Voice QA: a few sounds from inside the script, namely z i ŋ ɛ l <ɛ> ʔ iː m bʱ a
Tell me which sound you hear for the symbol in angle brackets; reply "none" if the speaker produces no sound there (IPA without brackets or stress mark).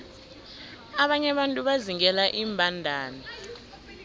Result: a